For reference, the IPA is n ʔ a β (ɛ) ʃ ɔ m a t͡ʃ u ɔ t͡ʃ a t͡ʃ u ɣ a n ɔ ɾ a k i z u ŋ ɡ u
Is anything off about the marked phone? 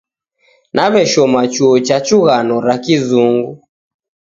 no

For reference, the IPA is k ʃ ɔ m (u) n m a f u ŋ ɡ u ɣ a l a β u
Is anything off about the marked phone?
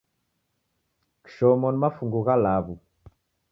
yes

